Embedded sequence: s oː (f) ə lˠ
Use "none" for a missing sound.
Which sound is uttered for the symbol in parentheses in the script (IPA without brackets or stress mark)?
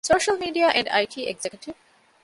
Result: ʃ